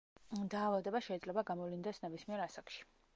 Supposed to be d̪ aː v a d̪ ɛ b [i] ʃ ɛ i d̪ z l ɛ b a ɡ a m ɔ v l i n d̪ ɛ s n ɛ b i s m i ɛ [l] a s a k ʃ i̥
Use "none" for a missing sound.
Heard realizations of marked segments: a, ɾ

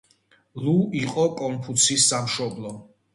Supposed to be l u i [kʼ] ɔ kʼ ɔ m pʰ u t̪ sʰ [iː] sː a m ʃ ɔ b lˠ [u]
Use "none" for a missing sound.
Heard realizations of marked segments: qʼ, i, ɔ

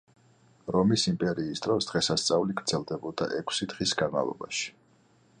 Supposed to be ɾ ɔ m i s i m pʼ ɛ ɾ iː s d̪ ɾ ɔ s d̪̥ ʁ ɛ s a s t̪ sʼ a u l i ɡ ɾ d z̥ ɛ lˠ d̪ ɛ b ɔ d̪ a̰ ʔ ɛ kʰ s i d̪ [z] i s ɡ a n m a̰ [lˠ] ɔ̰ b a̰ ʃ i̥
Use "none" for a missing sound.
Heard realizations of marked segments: ʁ, lˠ

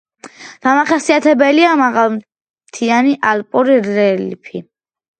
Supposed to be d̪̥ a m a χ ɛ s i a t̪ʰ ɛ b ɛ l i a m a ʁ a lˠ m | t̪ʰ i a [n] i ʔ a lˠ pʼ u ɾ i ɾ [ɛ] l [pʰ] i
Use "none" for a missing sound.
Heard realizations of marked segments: n, ɛ, pʰ

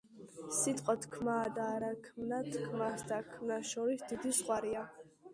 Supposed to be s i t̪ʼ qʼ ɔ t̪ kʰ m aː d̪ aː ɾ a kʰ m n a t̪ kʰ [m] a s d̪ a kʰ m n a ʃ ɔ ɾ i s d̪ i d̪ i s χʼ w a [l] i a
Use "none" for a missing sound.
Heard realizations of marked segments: m, ɾ

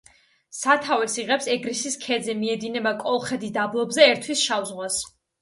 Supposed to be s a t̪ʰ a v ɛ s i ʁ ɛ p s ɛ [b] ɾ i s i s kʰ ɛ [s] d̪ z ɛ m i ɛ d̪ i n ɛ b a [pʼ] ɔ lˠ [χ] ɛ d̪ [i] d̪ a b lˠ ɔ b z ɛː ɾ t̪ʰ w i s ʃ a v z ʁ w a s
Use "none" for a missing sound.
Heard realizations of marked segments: ɡ, none, kʼ, χ, i

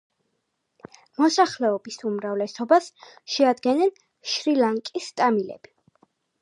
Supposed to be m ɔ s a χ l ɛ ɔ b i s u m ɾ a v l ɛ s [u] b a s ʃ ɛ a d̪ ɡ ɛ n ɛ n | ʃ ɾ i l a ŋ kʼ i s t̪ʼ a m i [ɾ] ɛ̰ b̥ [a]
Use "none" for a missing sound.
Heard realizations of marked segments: ɔ, l, i

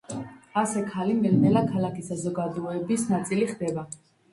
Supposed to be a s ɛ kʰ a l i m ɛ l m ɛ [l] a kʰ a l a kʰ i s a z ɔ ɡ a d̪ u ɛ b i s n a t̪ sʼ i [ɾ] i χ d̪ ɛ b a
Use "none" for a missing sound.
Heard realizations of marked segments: l, l

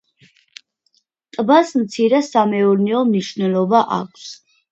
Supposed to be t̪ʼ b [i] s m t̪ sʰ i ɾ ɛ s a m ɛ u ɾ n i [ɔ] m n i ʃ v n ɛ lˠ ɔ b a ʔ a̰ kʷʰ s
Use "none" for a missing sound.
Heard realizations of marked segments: a, ɔ

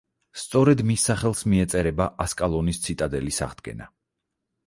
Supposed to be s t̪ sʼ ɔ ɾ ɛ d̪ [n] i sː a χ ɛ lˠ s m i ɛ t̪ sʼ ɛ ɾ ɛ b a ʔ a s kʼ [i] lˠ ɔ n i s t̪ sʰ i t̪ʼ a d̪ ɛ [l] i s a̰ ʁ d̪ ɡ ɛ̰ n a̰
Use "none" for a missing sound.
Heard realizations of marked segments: m, a, l

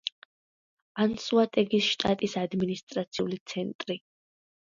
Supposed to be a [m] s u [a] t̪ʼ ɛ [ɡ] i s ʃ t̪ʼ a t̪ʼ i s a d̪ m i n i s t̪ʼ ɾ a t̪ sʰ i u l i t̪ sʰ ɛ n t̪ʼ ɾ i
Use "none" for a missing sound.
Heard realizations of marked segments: n, a, ɡ

